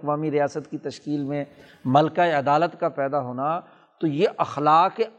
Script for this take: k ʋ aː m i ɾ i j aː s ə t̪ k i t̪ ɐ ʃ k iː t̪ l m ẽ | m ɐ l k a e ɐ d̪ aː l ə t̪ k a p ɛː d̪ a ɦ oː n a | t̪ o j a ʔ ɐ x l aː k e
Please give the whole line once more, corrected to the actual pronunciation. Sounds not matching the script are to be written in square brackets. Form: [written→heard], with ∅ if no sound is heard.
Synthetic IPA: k ʋ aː m i ɾ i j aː s ə t̪ k i t̪ ɐ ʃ k iː [t̪→∅] l m ẽ | m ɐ l k a e ɐ d̪ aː l ə t̪ k a p ɛː d̪ a ɦ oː n a | t̪ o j [a→e] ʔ ɐ x l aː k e